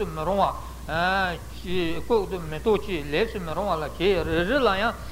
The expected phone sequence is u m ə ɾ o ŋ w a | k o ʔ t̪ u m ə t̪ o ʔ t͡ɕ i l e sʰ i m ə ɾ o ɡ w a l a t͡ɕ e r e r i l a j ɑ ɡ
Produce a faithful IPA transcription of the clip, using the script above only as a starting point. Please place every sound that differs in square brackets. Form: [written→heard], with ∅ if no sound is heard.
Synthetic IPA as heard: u m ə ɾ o ŋ w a | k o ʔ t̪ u m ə t̪ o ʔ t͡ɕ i l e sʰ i m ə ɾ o [ɡ→ŋ] w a l a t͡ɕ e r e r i l a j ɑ [ɡ→ŋ]